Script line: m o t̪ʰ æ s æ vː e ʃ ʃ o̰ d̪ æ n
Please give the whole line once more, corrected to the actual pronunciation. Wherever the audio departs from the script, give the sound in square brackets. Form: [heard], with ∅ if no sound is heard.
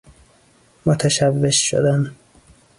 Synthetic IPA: m o t̪ʰ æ [ʃ] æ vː e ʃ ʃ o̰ d̪ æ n